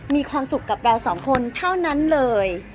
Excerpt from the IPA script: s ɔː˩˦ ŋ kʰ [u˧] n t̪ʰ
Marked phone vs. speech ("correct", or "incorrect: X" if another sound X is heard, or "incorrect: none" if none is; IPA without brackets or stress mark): incorrect: o˧